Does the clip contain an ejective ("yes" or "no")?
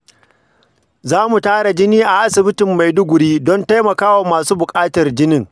yes